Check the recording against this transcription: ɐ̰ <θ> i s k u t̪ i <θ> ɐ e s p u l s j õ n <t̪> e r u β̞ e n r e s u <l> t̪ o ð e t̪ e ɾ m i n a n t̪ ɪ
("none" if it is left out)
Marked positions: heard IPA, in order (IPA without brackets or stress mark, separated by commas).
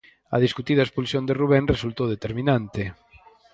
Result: ð, ð, d̪, l